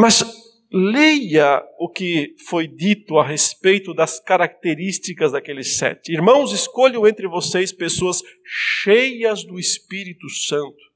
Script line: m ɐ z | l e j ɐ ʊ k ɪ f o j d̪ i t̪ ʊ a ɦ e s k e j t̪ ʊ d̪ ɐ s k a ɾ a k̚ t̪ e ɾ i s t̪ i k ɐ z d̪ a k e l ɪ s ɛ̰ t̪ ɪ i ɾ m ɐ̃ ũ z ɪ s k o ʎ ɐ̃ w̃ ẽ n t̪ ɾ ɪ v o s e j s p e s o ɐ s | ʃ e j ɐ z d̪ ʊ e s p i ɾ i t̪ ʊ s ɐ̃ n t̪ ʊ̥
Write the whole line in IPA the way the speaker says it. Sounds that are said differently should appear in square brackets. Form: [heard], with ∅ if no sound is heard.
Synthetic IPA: m ɐ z | l e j ɐ ʊ k ɪ f o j d̪ i t̪ ʊ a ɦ e s [p] e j t̪ ʊ d̪ ɐ s k a ɾ a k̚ t̪ e ɾ i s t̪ i k ɐ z d̪ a k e l ɪ s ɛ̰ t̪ ɪ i ɾ m ɐ̃ [w̃] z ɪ s k o ʎ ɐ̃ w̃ ẽ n t̪ ɾ ɪ v o s e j s p e s o ɐ s | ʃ e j ɐ z d̪ ʊ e s p i ɾ i t̪ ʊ s ɐ̃ n t̪ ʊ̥